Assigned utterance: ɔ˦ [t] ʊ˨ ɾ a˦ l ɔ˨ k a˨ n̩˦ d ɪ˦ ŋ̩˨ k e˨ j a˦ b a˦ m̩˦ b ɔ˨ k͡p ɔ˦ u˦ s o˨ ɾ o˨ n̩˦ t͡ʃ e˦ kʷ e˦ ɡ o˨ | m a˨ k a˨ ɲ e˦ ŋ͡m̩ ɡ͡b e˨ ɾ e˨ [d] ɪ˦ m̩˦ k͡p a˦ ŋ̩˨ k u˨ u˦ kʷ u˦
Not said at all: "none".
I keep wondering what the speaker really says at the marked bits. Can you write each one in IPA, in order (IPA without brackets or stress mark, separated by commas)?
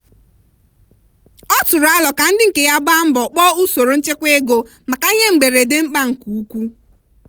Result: t, d